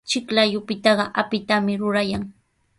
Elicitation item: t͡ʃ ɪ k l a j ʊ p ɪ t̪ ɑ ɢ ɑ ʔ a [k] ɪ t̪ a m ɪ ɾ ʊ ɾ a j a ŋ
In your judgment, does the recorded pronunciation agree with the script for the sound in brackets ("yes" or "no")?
no